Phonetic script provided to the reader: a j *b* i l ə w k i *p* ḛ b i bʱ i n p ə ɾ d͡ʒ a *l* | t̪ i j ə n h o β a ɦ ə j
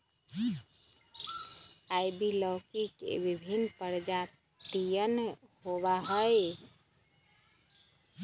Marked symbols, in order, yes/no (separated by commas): yes, no, no